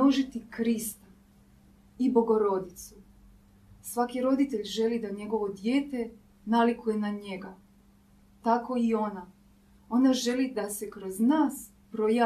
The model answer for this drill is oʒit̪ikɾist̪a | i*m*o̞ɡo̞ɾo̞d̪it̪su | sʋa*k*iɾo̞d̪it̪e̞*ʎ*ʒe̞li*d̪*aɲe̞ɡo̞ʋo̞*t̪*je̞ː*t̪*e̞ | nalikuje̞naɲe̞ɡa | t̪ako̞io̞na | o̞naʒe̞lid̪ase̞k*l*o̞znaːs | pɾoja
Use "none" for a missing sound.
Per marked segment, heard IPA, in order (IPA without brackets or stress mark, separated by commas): b, k, ʎ, d̪, d̪, t̪, ɾ